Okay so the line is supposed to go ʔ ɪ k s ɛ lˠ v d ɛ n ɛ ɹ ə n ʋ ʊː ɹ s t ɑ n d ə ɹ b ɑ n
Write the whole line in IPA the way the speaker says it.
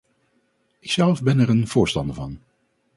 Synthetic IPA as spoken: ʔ ɪ k s ɛ lˠ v b ɛ n ɛ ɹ ə n v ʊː ɹ s t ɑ n d ə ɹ v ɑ n